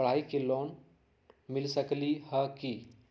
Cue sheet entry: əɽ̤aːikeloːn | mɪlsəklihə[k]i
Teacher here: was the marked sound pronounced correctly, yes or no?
yes